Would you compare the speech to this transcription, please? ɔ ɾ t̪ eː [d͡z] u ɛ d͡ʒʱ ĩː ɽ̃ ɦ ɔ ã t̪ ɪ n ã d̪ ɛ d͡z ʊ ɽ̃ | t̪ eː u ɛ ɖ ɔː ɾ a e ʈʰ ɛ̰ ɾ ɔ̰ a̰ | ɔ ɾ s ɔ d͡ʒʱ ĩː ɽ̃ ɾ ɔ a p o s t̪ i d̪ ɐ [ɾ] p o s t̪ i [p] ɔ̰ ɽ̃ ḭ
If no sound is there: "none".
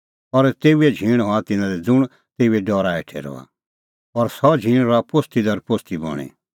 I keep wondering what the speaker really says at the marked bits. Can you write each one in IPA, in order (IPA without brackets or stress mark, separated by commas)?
none, ɾ, b